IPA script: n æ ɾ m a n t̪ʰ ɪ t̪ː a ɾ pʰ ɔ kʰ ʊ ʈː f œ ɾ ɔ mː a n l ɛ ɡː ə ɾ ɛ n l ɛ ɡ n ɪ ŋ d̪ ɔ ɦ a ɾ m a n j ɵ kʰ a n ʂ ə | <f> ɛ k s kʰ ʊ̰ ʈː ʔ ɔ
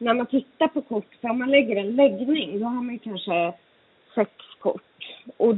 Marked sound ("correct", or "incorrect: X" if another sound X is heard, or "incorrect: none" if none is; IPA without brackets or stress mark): incorrect: s